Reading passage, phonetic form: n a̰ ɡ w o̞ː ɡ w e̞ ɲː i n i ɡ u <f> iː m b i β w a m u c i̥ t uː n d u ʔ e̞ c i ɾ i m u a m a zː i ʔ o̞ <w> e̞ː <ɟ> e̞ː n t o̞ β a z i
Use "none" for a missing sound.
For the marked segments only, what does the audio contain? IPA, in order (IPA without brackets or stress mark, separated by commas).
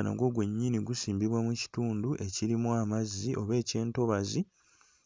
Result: s, β, c